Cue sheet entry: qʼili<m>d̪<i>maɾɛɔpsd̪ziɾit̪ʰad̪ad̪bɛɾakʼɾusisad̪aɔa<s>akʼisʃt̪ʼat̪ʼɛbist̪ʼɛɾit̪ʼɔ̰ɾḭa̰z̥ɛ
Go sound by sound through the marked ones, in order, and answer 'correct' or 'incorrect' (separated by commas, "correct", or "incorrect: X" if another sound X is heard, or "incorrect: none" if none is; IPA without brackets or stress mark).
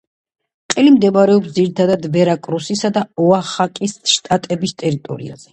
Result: correct, incorrect: ɛ, incorrect: χ